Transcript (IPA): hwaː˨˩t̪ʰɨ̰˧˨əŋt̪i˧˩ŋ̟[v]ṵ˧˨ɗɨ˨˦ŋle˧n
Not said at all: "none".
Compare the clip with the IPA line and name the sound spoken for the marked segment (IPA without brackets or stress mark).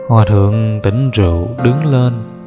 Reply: z